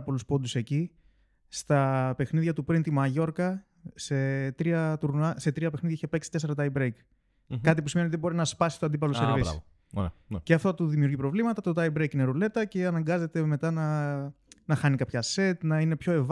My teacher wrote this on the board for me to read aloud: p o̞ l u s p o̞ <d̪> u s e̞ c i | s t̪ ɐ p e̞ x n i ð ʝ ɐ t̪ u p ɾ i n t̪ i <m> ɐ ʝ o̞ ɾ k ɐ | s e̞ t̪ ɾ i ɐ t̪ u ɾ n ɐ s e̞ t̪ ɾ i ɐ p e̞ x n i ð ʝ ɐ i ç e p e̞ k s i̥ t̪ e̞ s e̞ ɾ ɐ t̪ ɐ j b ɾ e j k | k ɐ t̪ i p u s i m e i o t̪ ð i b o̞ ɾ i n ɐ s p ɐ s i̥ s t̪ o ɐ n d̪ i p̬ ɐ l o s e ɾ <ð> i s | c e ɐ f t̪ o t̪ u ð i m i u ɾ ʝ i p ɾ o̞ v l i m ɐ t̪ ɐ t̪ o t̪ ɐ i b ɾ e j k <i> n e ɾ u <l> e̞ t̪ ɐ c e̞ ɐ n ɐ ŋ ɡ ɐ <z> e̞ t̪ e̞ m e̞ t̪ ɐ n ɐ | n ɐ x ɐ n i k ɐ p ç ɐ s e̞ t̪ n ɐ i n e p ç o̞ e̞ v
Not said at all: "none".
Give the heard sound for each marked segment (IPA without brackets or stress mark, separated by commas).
d̪, m, v, i, l, z